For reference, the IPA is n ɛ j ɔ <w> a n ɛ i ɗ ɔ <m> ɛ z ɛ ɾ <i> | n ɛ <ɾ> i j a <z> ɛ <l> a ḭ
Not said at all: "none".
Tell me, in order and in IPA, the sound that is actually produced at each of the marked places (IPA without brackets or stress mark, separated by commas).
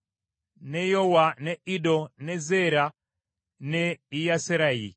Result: w, n, a, none, s, ɾ